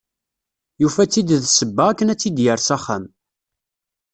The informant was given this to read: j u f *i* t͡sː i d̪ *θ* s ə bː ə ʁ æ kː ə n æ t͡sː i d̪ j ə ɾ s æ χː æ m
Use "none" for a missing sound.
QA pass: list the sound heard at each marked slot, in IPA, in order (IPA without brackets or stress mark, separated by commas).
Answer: æ, ð